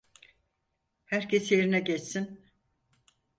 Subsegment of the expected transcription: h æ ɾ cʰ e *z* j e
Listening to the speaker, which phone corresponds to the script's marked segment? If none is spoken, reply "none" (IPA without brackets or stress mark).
s